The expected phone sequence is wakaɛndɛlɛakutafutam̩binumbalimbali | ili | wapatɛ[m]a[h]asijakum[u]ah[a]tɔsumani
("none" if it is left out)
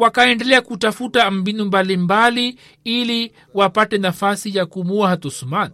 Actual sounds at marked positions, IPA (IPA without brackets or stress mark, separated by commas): n, f, u, a